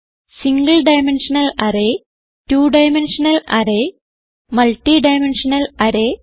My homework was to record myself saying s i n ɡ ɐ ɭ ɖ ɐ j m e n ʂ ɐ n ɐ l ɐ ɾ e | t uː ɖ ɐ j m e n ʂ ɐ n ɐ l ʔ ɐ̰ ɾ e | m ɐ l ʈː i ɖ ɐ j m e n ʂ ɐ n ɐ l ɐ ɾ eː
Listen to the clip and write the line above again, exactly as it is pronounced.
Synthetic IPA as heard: s i ŋ ɡ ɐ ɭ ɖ ɐ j m e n ʂ ɐ n ɐ l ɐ ɾ e | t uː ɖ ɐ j m e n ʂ ɐ n ɐ l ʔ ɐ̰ ɾ e | m ɐ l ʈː i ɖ ɐ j m e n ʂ ɐ n ɐ l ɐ ɾ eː

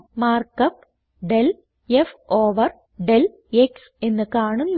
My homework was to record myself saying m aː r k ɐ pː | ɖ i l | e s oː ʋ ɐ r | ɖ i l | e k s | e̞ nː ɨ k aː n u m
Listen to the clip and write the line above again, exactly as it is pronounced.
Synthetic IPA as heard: m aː r k ɐ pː | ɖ e l | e f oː ʋ ɐ r | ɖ e l | e k s | e̞ nː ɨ k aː ɳ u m

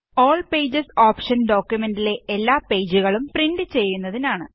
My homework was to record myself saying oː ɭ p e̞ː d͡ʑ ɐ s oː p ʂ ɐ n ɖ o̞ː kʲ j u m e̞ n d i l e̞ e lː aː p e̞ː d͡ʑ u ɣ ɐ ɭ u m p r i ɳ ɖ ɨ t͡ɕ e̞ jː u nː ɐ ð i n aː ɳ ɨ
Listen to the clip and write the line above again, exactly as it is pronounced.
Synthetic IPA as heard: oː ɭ p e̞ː d͡ʑ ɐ s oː p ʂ ɐ n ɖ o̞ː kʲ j u m e̞ n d i l e̞ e lː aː p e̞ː d͡ʑ u ɣ ɐ ɭ u m p r i ɳ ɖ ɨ t͡ɕ e̞ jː u nː ɐ ð i n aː ɳ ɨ

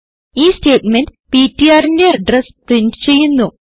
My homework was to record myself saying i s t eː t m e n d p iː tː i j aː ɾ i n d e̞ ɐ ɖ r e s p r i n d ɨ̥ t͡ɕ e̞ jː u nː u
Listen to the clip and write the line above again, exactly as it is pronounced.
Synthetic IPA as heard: iː s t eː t m e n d p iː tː i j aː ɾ i n d e̞ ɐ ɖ r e s p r i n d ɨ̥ t͡ɕ e̞ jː u nː u

